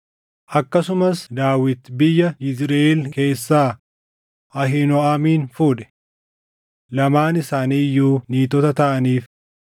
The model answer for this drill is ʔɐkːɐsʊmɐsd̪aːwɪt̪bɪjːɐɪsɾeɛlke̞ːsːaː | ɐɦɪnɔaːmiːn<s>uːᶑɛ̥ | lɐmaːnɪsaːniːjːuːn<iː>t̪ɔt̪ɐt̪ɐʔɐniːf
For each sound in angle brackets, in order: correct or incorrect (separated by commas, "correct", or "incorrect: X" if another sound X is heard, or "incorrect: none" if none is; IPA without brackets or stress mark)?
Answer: incorrect: f, correct